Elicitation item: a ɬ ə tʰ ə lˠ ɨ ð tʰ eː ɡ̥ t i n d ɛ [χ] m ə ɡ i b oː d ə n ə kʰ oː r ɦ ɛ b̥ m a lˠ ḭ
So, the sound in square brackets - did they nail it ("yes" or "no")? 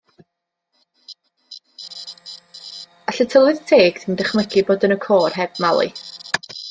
yes